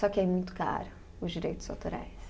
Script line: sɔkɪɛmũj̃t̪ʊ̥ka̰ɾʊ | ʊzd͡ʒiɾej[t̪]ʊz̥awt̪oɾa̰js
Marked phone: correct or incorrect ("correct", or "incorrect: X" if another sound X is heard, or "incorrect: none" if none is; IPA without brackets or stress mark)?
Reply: correct